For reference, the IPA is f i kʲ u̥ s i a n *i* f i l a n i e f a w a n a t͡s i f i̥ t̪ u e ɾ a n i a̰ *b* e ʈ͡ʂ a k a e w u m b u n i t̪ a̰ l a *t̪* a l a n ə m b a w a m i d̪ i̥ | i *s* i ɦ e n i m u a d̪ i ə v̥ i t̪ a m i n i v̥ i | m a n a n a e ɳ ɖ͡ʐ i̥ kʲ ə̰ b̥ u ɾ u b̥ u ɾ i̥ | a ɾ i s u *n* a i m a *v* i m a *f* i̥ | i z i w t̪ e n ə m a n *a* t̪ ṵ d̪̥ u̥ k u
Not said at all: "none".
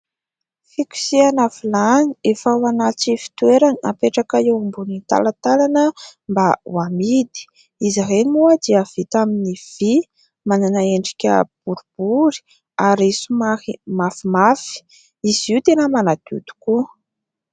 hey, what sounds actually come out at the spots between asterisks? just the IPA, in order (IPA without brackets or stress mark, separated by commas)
a, p, t̪, z, m, f, f, a